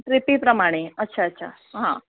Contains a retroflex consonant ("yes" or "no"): yes